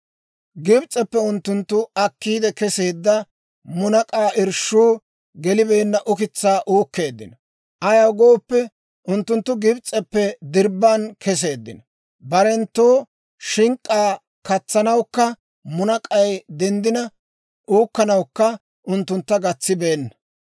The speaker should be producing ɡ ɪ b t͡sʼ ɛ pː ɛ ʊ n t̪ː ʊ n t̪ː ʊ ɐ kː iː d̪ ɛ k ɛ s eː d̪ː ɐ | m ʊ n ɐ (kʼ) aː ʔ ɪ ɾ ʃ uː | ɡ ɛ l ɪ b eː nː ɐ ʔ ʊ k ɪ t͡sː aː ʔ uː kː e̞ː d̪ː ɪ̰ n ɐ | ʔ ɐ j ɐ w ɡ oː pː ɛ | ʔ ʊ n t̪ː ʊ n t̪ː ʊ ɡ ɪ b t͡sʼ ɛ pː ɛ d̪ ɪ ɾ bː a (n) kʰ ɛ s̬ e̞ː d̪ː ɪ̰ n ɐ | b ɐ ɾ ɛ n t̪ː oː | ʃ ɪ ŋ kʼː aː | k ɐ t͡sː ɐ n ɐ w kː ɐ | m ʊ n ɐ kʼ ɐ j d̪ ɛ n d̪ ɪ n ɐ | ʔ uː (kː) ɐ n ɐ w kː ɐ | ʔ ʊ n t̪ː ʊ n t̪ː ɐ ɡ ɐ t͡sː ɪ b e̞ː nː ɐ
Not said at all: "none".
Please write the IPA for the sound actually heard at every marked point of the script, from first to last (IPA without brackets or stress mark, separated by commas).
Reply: kʼ, n, kː